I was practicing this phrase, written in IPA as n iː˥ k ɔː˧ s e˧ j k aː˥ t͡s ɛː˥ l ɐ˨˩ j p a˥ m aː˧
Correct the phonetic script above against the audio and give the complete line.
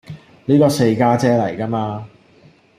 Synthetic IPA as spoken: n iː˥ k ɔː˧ s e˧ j k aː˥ t͡s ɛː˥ l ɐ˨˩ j k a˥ m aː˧